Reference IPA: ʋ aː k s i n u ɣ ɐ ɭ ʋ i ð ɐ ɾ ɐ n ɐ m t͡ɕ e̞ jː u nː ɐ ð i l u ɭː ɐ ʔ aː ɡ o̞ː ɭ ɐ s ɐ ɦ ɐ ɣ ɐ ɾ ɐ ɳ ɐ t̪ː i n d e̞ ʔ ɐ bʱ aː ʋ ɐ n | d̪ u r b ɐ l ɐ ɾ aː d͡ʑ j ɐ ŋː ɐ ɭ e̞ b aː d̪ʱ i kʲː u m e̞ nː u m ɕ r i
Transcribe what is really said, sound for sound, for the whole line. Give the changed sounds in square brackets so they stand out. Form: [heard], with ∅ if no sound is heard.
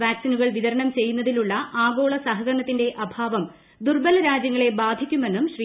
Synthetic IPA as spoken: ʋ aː k s i n u ɣ ɐ ɭ ʋ i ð ɐ ɾ ɐ [ɳ] ɐ m t͡ɕ e̞ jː u nː ɐ ð i l u ɭː ɐ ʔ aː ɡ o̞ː ɭ ɐ s ɐ ɦ ɐ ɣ ɐ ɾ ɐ ɳ ɐ t̪ː i n d e̞ ʔ ɐ bʱ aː ʋ ɐ [m] | d̪ u r b ɐ l ɐ ɾ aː d͡ʑ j ɐ ŋː ɐ ɭ e̞ b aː d̪ʱ i kʲː u m e̞ nː u m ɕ r i